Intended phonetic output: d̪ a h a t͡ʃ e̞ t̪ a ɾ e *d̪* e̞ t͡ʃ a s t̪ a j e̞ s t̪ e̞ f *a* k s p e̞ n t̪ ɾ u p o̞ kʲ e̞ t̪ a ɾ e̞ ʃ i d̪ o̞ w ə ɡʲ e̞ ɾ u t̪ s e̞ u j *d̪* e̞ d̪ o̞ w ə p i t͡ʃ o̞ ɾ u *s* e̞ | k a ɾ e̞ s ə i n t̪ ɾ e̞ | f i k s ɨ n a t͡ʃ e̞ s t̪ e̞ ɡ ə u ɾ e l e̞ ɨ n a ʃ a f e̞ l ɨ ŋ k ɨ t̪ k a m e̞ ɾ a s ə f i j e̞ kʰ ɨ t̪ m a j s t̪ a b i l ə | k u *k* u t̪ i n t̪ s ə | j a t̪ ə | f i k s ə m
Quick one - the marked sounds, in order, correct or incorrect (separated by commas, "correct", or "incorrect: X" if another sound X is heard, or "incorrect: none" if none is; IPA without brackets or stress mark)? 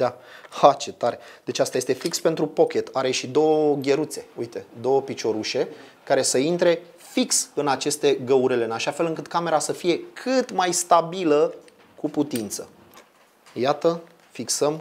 correct, incorrect: i, incorrect: t̪, incorrect: ʃ, incorrect: p